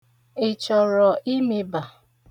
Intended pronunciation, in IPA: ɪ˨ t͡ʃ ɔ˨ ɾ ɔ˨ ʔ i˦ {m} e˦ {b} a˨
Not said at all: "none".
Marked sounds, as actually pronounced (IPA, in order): m, b

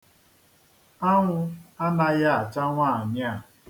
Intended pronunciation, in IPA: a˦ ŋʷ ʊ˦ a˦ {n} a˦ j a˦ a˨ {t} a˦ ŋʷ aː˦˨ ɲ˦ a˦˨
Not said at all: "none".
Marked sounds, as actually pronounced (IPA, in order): n, t͡ʃ

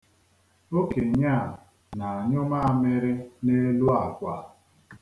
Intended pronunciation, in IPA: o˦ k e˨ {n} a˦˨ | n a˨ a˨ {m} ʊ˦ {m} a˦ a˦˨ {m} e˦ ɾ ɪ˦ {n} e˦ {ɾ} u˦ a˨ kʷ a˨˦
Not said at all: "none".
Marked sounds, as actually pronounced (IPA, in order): ɲ, ɲ, m, m, n, l

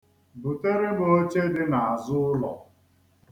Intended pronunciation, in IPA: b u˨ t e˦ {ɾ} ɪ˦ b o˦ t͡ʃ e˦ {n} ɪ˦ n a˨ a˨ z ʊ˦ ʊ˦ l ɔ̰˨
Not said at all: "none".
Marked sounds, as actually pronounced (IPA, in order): ɾ, d

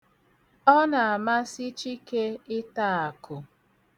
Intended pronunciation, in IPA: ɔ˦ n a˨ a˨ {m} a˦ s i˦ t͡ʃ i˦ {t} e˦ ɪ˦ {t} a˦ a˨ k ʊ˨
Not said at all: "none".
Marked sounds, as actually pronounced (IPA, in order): m, k, t

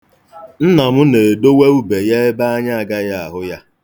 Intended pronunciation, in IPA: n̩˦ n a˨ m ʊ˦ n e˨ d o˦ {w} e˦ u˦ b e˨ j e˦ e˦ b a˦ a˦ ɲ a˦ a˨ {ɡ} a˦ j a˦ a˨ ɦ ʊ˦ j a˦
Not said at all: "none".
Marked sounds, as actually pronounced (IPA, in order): w, ɡ

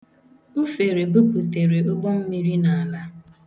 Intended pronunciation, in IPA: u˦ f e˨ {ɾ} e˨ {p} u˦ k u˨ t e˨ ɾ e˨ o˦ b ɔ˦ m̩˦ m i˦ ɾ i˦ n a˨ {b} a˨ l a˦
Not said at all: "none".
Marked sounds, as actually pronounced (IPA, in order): ɾ, b, none

